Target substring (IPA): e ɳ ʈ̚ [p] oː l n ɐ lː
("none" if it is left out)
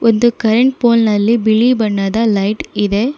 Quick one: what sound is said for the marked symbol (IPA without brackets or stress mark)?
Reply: p